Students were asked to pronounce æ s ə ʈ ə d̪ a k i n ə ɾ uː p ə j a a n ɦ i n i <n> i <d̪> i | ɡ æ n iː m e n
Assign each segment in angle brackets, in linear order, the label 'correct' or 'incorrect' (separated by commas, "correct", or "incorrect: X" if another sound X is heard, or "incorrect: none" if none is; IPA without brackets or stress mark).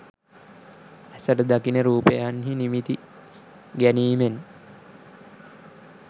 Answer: incorrect: m, incorrect: t̪